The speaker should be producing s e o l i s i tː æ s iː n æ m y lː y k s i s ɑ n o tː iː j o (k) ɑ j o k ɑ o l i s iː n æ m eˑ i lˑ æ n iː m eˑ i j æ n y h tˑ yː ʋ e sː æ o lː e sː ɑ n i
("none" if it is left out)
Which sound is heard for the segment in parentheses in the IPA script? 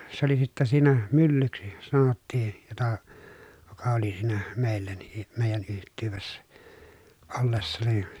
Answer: t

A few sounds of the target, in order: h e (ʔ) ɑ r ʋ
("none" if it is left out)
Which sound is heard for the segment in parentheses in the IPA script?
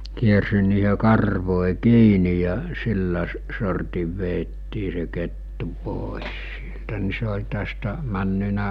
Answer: k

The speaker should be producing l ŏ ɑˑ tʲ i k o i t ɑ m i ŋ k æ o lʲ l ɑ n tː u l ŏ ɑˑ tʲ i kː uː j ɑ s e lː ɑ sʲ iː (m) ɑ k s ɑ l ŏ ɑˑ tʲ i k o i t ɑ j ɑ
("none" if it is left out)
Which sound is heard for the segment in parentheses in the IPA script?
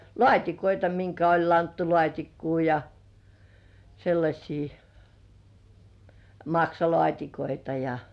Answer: m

